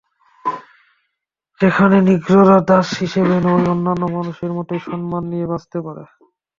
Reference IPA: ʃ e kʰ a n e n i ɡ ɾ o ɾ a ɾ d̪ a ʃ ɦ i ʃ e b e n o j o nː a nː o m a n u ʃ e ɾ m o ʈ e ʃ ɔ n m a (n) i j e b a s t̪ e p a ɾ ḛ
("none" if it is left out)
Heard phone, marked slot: nː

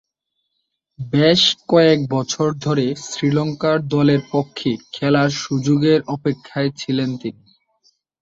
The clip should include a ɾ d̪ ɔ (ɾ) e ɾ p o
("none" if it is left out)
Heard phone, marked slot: l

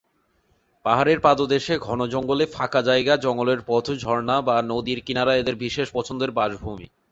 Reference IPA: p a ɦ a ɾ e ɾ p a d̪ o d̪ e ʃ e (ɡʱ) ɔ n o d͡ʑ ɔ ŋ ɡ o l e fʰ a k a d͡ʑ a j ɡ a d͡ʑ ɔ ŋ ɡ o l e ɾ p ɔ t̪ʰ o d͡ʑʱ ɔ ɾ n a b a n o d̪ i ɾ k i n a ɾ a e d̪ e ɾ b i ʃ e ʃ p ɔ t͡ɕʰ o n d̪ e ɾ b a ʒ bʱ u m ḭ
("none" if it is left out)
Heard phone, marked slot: ɡʱ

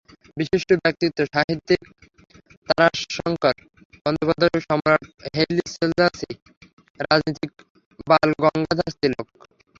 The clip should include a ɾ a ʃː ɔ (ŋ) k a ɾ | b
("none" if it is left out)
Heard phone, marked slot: ŋ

